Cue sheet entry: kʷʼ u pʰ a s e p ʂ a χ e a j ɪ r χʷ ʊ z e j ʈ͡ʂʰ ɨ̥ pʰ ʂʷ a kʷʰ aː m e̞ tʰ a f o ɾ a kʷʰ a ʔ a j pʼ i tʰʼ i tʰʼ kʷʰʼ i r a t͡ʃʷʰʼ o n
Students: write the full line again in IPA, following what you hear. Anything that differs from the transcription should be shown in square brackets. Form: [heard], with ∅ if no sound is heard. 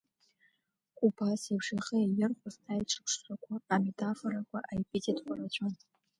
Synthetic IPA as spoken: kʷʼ u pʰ a s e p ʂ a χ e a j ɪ r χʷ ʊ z [a] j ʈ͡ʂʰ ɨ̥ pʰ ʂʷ a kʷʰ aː m e̞ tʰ a f o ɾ a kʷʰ a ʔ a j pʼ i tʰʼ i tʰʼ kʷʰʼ [a] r a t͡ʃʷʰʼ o n